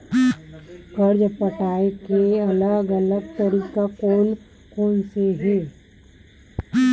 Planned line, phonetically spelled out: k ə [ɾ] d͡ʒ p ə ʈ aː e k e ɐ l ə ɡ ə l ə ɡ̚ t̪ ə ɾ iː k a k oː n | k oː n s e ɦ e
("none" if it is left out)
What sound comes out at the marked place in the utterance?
ɾ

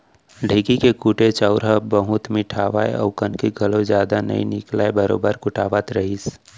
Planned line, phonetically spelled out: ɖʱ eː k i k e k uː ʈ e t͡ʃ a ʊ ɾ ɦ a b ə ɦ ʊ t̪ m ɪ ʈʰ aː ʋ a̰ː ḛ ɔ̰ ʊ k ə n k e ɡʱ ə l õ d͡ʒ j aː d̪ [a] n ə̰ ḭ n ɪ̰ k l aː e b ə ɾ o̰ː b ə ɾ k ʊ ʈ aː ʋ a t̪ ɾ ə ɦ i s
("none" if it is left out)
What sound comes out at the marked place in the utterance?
a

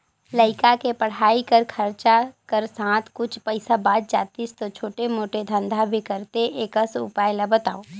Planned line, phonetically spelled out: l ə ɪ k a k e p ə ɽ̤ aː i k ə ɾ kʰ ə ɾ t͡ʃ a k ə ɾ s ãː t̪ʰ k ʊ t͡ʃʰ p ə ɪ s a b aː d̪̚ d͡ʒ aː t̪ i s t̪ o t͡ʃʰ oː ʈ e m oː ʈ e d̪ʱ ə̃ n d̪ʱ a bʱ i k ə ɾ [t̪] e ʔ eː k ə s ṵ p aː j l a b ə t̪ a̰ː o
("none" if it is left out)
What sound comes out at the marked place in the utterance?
t̪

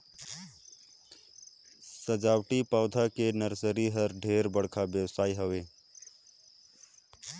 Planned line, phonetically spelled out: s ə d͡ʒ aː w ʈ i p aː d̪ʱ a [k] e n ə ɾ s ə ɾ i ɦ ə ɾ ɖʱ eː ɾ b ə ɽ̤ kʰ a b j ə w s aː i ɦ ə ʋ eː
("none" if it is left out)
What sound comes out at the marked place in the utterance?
k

